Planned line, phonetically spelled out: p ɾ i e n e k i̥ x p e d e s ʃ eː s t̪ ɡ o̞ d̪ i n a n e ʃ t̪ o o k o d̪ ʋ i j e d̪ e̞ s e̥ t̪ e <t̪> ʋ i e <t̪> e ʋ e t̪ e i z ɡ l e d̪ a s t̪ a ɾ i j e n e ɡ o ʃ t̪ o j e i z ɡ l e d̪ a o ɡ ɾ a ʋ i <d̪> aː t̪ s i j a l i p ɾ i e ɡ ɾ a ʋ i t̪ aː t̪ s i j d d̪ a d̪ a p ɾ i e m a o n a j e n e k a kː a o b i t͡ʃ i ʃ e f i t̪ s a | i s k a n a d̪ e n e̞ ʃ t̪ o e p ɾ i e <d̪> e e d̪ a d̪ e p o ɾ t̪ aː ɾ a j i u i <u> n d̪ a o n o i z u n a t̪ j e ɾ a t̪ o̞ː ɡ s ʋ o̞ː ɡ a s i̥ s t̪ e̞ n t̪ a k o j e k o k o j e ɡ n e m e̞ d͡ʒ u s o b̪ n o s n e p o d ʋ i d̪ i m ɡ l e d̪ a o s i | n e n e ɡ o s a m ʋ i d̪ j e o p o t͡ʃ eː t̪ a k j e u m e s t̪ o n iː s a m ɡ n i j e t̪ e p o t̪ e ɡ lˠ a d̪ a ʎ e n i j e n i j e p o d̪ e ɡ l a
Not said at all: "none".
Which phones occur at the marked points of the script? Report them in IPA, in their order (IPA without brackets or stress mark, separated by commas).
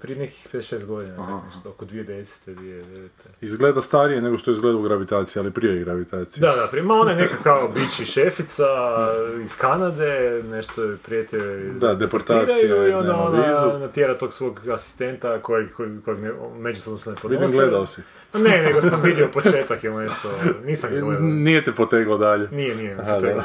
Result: d̪, d̪, t̪, t̪, o